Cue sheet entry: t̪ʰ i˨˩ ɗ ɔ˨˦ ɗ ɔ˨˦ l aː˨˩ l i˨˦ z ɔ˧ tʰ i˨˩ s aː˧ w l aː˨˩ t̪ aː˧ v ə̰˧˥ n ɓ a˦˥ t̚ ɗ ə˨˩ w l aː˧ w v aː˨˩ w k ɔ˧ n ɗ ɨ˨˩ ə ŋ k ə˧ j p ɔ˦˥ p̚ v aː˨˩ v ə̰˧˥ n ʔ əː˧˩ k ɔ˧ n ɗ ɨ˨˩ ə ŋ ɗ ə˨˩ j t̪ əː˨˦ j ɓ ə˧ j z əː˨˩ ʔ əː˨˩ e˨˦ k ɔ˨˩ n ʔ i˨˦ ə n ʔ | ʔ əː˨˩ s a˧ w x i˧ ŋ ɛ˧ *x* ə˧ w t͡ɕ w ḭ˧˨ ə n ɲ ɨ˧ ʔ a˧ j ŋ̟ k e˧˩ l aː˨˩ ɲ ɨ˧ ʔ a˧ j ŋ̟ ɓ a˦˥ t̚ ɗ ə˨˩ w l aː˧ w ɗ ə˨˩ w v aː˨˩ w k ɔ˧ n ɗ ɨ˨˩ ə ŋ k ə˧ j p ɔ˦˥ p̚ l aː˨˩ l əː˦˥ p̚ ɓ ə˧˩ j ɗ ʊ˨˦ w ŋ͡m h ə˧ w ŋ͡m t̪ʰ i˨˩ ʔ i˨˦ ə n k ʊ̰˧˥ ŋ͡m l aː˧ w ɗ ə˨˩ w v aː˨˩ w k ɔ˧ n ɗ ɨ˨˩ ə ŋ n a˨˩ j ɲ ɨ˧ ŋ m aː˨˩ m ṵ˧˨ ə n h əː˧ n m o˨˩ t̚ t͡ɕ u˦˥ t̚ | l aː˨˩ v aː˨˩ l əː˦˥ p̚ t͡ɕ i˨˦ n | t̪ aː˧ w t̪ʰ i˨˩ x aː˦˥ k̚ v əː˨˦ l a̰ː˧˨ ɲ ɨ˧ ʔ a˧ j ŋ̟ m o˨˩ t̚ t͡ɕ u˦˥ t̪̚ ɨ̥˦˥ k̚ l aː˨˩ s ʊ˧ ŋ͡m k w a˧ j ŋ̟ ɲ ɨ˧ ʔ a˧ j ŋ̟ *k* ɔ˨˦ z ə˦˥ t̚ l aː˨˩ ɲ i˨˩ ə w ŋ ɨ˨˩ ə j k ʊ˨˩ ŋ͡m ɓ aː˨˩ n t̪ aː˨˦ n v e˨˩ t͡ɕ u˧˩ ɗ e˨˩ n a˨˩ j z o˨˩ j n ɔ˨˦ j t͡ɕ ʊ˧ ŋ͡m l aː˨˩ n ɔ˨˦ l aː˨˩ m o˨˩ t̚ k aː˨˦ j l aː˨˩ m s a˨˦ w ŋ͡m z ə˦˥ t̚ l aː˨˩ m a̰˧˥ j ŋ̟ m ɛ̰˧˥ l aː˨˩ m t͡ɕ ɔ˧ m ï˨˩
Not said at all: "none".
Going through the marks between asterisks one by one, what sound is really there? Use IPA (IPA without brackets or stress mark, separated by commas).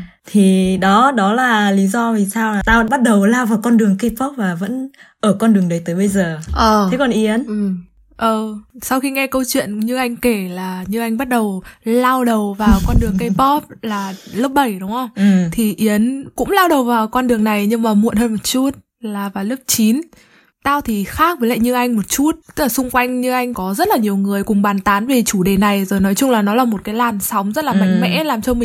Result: k, k